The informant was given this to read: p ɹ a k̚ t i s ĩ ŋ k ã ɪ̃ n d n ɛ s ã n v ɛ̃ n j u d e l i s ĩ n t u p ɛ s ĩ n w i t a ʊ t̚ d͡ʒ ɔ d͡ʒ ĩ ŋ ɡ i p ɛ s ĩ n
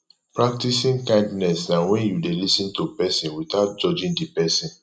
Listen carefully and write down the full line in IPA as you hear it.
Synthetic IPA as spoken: p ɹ a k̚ t i s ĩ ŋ k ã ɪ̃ n d n ɛ s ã n w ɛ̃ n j u d e l i s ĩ n t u p ɛ s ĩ n w i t a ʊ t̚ d͡ʒ ɔ d͡ʒ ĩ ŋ d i p ɛ s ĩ n

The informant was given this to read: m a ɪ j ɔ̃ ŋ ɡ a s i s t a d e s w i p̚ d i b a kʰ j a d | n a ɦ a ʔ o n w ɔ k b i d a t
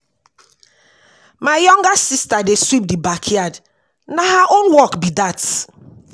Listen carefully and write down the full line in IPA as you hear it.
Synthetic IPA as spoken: m a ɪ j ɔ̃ ŋ ɡ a s i s t a d e s w i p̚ d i b a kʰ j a d | n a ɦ a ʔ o n w ɔ k b i d a t

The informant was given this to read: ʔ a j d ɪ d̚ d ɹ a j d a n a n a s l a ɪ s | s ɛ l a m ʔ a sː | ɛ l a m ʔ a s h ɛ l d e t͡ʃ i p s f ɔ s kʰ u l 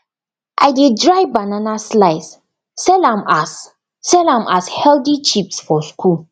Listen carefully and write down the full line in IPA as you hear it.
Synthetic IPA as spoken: ʔ a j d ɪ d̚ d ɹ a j b a n a n a s l a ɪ s | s ɛ l a m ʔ a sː | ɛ l a m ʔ a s h ɛ l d i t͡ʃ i p s f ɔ s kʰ u l

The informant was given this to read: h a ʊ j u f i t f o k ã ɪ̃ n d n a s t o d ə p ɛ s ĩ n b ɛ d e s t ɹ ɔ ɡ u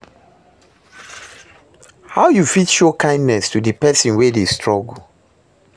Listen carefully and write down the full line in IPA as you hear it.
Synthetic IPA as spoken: h a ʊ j u f i t ʃ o k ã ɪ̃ n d n ɛ s t u d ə p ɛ s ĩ n w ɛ d e s t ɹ ɔ ɡ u

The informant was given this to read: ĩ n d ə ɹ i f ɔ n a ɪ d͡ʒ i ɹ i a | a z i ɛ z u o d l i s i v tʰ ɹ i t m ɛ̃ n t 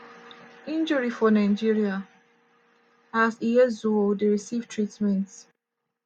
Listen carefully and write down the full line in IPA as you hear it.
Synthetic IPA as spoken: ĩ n d͡ʒ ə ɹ i f ɔ n a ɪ d͡ʒ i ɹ i a | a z i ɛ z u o d ɹ i s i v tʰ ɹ i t m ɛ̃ n t

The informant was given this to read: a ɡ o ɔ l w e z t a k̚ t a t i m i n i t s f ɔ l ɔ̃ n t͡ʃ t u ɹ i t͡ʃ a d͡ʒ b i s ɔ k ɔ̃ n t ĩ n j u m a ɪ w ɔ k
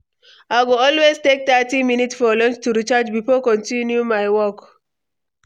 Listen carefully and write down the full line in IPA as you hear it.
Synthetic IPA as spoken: a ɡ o ɔ l w e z t e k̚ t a t i m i n i t s f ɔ l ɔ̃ n t͡ʃ t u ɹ i t͡ʃ a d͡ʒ b i f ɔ k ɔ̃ n t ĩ n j u m a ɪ w ɔ k

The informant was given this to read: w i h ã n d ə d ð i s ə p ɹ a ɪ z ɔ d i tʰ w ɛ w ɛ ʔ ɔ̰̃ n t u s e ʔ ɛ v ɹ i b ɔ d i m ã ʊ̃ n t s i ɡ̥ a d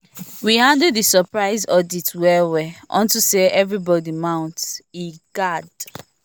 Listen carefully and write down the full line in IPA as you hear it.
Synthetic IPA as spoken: w i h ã n d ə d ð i s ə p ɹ a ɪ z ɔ d i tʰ w ɛ w ɛ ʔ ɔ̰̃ n t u s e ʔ ɛ v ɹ i b ɔ d i m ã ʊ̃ n t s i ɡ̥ a d

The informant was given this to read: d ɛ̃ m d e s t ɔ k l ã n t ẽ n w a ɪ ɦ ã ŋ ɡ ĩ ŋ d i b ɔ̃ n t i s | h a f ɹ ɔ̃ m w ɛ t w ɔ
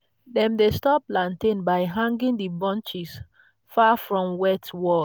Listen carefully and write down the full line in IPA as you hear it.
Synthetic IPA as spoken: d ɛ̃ m d e s t ɔ p l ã n t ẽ n b a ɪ ɦ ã ŋ ɡ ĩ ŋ d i b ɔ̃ n t͡ʃ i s | f a f ɹ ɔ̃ m w ɛ t w ɔ

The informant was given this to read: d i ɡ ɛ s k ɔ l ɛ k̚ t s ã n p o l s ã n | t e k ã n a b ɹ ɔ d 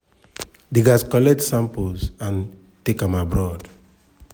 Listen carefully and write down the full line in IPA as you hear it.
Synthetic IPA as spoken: d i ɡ a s k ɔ l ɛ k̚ t s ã m p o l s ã n | t e k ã m a b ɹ ɔ d

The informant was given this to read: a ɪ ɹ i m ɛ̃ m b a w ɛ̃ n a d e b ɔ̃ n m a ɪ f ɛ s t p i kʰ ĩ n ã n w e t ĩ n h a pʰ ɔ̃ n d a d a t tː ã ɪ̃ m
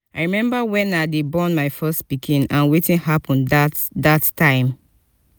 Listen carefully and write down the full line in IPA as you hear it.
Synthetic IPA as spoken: a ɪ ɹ i m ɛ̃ m b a w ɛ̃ n a d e b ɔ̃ n m a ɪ f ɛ s t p i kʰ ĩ n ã n w e t ĩ n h a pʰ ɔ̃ n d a d a t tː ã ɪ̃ m

